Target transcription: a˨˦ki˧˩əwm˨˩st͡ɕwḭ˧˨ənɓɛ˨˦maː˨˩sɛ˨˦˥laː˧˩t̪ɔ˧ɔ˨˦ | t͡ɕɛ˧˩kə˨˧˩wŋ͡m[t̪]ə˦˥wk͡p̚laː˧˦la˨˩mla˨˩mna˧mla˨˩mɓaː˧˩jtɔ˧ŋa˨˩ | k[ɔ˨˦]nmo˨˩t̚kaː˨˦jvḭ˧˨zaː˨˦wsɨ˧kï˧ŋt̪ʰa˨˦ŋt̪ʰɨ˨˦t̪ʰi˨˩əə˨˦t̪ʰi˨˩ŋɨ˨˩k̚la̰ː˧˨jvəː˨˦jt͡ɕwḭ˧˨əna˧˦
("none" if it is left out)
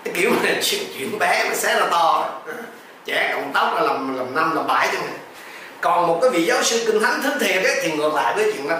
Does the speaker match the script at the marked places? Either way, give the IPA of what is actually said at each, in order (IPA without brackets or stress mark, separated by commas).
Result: t̪, ɔ˨˩